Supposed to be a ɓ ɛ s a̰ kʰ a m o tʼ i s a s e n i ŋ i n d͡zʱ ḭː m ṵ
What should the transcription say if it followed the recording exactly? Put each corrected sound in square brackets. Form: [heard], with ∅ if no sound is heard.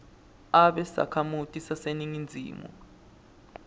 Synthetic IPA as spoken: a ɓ ɛ s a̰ kʰ a m [u] tʼ i s a s e n i ŋ i n d͡zʱ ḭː m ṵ